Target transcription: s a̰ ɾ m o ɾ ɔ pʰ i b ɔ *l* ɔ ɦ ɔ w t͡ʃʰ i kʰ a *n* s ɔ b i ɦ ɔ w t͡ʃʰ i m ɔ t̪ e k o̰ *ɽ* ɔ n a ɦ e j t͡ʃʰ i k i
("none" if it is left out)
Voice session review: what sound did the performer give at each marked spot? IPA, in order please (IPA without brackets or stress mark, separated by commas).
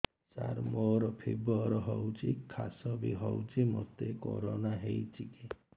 ɾ, none, ɾ